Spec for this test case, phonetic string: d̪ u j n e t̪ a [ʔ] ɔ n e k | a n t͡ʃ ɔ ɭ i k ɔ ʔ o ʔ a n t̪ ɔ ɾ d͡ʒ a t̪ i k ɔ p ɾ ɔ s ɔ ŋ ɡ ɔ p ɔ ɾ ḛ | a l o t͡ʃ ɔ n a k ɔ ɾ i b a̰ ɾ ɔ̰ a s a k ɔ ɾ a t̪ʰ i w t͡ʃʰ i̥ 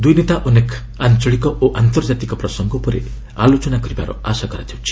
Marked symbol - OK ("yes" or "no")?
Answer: yes